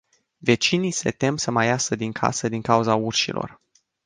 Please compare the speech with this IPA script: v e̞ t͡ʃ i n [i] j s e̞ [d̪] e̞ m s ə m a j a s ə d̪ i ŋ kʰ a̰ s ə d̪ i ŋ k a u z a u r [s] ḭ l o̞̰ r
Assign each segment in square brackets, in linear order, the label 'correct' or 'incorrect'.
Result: correct, incorrect: t̪, incorrect: ʃ

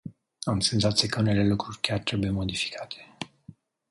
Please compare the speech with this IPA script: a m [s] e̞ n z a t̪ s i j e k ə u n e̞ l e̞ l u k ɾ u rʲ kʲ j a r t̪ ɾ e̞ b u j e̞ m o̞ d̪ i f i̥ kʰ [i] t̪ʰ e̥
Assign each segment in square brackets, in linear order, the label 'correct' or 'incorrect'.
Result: correct, incorrect: a

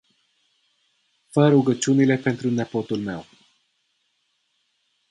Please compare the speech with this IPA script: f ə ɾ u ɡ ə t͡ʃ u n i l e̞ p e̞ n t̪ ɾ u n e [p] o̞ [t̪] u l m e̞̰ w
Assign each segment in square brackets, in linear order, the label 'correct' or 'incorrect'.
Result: correct, correct

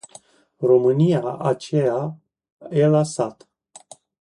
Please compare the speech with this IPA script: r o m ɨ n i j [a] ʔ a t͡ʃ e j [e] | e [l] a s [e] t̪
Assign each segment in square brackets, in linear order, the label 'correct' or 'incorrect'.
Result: correct, incorrect: a, correct, incorrect: a

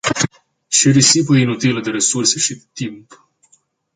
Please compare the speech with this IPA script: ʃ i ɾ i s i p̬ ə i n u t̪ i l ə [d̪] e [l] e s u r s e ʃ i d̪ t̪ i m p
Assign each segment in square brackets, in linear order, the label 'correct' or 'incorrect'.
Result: correct, incorrect: ɾ

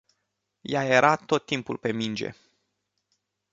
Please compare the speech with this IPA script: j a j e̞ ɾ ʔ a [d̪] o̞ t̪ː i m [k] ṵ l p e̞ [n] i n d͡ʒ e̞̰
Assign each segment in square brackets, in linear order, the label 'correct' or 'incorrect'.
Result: incorrect: t̪, incorrect: p, incorrect: m

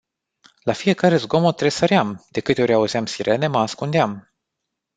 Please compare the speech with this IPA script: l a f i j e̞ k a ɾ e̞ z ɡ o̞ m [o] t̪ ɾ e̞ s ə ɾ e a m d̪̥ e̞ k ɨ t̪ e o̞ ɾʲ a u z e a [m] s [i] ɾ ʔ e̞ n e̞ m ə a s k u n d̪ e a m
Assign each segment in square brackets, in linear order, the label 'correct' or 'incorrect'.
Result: correct, correct, correct

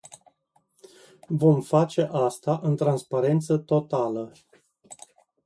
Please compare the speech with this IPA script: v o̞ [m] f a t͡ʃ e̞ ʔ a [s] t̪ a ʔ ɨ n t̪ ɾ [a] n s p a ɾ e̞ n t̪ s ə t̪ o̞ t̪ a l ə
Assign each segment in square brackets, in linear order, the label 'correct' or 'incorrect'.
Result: correct, correct, correct

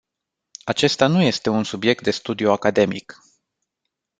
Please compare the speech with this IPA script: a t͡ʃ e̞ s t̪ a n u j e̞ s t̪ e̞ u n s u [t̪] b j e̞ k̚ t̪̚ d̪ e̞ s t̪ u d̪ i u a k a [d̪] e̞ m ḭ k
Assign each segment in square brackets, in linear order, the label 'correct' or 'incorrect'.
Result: incorrect: none, correct

